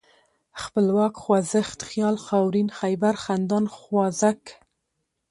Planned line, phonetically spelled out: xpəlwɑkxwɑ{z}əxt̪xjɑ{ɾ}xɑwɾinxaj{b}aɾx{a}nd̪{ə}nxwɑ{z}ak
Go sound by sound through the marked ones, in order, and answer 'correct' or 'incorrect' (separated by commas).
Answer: correct, incorrect, correct, correct, incorrect, correct